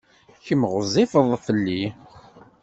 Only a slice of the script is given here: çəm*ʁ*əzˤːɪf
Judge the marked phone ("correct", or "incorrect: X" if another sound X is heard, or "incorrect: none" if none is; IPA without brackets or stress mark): correct